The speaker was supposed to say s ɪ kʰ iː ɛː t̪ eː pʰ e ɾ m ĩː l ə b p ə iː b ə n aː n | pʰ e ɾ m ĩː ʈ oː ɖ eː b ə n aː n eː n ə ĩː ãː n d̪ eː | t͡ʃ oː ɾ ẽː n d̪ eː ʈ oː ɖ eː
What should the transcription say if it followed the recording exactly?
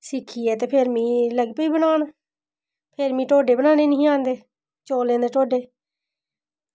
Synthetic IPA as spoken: s ɪ kʰ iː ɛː t̪ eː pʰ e ɾ m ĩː l ə ɡ p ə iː b ə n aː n | pʰ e ɾ m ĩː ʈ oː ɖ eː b ə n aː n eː n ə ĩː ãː n d̪ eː | t͡ʃ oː l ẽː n d̪ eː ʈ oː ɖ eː